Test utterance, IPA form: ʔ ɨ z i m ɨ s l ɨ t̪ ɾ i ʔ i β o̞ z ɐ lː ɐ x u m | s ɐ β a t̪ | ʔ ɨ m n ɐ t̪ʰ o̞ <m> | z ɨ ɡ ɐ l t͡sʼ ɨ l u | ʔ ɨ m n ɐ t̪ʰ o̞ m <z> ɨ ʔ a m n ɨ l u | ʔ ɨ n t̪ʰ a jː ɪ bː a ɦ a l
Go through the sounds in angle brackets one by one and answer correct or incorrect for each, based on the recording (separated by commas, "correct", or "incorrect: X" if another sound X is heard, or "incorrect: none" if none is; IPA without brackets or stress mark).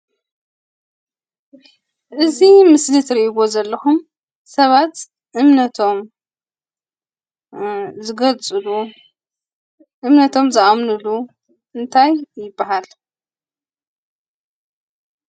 correct, correct